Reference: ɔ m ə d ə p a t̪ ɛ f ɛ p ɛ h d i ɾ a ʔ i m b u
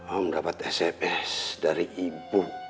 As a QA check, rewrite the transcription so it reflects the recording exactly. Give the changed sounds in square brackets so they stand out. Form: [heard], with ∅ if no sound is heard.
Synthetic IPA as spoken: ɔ m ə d [a] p a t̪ ɛ [s] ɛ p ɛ [s] d [a] ɾ [i] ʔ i [∅] b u